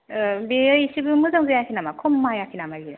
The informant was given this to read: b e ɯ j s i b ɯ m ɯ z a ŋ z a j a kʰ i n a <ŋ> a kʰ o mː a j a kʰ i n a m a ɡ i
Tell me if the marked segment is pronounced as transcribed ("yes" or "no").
no